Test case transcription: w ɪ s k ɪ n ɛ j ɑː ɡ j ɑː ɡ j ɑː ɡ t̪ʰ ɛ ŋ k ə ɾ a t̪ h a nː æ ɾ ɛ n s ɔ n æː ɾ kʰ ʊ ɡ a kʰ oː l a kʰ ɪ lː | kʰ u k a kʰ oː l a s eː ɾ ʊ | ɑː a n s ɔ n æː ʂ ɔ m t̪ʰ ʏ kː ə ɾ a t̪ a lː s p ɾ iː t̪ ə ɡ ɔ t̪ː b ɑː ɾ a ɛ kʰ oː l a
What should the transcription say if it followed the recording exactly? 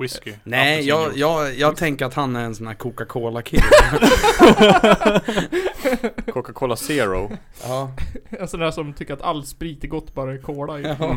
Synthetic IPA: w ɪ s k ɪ n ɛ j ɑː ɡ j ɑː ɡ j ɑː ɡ t̪ʰ ɛ ŋ k ə ɾ a t̪ h a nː æ ɾ ɛ n s ɔ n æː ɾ kʰ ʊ k a kʰ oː l a kʰ ɪ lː | kʰ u k a kʰ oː l a s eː ɾ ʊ | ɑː ɛ n s ɔ n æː ʂ ɔ m t̪ʰ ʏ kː ə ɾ a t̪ a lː s p ɾ iː t̪ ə ɡ ɔ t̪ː b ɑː ɾ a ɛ kʰ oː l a